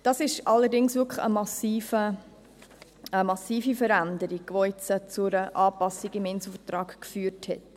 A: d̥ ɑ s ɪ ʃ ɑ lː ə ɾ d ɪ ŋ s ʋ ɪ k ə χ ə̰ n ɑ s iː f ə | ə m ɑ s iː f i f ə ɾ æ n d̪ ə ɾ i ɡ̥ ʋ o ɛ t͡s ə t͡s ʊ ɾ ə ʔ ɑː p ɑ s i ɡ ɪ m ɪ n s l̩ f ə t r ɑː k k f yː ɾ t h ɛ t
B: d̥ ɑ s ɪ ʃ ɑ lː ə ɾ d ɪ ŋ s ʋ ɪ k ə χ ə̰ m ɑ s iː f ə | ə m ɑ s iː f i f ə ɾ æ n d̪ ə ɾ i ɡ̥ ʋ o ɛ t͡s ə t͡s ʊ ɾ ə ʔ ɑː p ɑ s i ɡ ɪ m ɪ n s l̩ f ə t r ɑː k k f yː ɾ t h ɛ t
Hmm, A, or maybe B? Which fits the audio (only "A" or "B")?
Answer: B